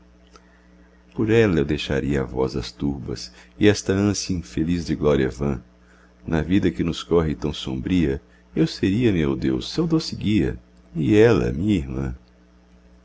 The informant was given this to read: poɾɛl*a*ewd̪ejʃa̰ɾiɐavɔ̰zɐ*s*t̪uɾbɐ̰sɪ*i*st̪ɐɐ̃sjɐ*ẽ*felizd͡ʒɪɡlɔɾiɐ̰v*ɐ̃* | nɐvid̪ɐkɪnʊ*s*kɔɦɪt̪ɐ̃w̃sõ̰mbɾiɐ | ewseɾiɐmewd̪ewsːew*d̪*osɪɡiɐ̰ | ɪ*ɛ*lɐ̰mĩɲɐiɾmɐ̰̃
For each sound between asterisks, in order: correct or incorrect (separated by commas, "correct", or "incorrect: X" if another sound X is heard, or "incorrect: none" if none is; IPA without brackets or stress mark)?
incorrect: ɐ, correct, incorrect: ɛ, incorrect: ĩ, correct, correct, correct, correct